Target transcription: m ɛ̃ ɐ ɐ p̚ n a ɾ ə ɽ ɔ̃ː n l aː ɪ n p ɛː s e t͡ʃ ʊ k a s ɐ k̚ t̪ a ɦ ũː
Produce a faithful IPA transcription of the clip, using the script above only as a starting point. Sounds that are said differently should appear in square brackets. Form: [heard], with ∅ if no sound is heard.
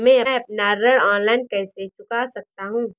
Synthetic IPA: m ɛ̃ ɐ ɐ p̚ n a ɾ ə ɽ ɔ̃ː n l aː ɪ n [k] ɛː s e t͡ʃ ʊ k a s ɐ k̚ t̪ a ɦ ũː